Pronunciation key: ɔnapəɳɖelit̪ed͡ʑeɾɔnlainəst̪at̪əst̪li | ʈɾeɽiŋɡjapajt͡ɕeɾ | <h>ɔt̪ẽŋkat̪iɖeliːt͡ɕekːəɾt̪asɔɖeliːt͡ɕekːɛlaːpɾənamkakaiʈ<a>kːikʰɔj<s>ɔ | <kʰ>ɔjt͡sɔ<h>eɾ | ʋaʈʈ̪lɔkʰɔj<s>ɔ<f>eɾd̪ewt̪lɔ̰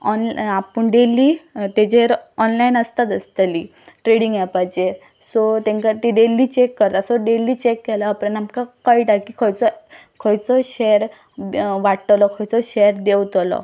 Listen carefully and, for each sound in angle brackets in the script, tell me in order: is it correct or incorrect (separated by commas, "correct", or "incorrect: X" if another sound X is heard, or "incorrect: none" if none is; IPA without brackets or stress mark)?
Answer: incorrect: s, correct, incorrect: t͡s, correct, incorrect: ɕ, incorrect: t͡s, incorrect: ɕ